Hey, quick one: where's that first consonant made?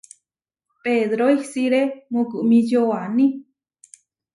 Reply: lips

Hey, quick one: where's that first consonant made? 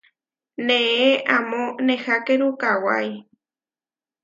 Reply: tongue tip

